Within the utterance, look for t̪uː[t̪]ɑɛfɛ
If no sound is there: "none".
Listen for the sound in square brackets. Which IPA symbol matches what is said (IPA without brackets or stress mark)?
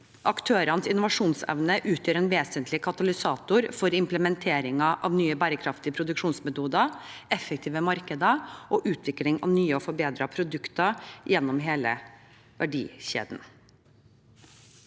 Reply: d̪